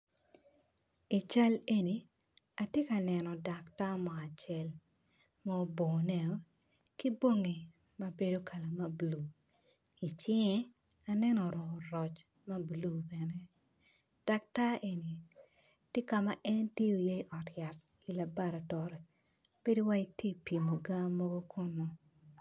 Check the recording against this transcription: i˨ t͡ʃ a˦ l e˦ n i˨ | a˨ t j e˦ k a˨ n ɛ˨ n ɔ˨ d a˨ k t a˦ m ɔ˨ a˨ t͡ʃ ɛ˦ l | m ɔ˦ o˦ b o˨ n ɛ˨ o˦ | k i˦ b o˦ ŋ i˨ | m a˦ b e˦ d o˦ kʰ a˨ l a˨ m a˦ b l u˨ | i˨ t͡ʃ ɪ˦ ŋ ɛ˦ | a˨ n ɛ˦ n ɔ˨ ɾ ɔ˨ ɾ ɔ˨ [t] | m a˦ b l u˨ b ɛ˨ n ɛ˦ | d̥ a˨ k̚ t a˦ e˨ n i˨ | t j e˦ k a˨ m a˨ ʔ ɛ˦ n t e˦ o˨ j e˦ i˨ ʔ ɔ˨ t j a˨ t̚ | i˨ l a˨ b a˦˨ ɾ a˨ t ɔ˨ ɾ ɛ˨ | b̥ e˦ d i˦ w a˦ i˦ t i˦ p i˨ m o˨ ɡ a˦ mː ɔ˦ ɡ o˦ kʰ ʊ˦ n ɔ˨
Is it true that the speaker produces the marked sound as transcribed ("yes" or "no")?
no